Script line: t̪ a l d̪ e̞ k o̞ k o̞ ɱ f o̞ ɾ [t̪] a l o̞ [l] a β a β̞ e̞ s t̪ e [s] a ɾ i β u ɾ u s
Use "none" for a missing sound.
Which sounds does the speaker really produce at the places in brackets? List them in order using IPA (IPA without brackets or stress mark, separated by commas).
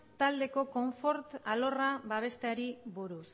t̪, r, none